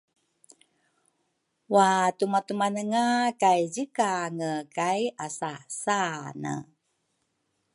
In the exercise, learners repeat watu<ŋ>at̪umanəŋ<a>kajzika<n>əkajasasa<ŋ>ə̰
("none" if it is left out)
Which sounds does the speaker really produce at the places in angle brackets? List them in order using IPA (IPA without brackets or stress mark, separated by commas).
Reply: m, a, ŋ, n